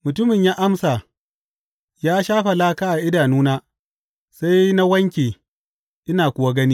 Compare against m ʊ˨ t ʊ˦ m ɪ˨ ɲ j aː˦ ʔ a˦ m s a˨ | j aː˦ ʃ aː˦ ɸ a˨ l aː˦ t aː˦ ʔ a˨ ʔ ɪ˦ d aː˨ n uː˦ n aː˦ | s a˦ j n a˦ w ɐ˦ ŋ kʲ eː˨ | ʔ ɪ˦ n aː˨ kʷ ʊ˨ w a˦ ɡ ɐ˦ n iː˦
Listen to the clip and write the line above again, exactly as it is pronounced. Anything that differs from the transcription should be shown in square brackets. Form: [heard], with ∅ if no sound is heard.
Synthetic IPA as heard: m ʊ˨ t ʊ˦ m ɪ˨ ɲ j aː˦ ʔ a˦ m s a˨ | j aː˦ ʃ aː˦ ɸ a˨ l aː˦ [k] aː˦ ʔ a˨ ʔ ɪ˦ d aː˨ n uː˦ n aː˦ | s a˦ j n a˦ w ɐ˦ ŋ kʲ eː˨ | ʔ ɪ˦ n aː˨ kʷ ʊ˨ w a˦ ɡ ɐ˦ n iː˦